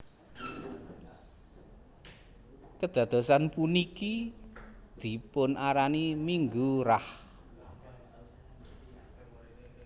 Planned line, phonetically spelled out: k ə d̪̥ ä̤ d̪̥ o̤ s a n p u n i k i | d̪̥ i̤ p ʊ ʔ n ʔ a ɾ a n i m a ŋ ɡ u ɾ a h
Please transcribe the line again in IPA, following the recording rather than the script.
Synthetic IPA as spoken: k ə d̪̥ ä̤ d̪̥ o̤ s a n p u n i k i | d̪̥ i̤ p ʊ n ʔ a ɾ a n i m i ŋ ɡ u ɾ a h

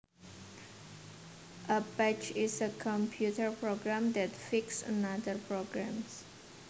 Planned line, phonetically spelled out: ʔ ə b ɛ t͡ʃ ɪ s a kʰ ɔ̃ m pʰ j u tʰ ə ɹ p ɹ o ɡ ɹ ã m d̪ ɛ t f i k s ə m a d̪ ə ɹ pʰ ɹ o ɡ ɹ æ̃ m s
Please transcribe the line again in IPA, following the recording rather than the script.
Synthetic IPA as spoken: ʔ ə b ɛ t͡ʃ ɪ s ə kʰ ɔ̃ m pʰ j u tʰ ə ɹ p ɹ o ɡ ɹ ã m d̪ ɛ t f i k s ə n a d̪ ə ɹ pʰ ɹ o ɡ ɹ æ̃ m s

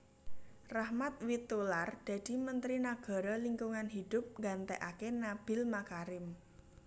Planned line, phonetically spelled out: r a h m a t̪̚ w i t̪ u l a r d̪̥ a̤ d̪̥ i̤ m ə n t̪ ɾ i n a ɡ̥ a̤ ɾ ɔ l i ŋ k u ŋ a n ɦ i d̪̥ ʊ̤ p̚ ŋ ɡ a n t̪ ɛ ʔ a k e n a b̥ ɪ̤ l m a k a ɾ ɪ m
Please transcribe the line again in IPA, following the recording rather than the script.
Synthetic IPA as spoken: r a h m a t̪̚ w i t̪ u l a r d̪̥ a̤ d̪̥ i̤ m ə n t̪ ɾ i n a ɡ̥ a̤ ɾ ɔ l i ŋ k u ŋ a n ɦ i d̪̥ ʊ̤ p̚ ŋ ɡ a n t̪ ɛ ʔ a k e n a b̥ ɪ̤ l m a k a ɾ ɪ m

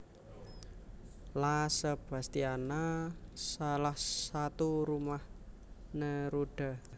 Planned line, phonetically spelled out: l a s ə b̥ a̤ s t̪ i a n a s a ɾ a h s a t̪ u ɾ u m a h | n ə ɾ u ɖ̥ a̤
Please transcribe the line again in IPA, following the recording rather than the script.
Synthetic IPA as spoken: l a s ə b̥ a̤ s t̪ i a n a s a l a h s a t̪ u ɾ u m a h | n ə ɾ u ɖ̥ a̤

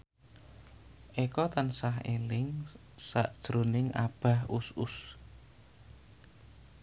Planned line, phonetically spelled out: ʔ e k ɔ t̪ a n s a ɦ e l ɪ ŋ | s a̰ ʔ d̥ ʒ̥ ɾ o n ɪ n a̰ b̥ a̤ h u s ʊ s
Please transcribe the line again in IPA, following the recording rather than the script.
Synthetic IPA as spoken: ʔ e k ɔ t̪ a n s a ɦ e l ɪ ŋ | s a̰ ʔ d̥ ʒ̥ ɾ o n ɪ ŋ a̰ b̥ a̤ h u s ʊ s

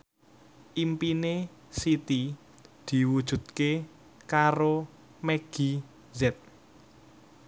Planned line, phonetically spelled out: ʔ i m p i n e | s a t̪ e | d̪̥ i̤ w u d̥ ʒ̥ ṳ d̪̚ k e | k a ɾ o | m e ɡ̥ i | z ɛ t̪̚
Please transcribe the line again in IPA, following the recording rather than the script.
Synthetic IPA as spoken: ʔ i m p i n e | s i t̪ i | d̪̥ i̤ w u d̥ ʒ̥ ṳ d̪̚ k e | k a ɾ o | m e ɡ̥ i | z ɛ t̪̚

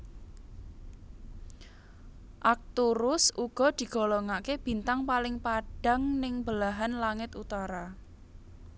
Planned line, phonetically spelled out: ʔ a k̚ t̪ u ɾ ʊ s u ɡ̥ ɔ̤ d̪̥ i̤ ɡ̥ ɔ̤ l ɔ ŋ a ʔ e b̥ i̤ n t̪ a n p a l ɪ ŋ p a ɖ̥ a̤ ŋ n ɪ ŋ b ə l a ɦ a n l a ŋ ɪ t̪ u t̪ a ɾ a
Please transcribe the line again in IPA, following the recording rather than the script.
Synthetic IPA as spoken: ʔ a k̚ t̪ u ɾ ʊ s u ɡ̥ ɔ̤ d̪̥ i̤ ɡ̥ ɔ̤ l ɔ ŋ a k e b̥ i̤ n t̪ a ŋ p a l ɪ ŋ p a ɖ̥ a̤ ŋ n ɪ ŋ b ə l a ɦ a n l a ŋ ɪ t̪ u t̪ a ɾ a

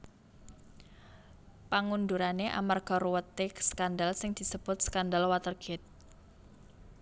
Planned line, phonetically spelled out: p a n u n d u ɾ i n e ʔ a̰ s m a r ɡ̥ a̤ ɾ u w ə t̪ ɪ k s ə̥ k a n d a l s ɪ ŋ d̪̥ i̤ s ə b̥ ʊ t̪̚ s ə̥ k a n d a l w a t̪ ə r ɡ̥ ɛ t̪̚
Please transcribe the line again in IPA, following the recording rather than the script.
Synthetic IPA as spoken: p a ŋ u n d u ɾ a n e ʔ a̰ m a r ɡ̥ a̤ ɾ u w ə t̪ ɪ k s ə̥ k a n d a l s ɪ ŋ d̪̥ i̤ s ə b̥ ʊ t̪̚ s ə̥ k a n d a l w a t̪ ə r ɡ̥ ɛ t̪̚

